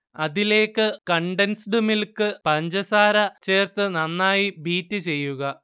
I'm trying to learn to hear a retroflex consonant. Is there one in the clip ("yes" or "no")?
yes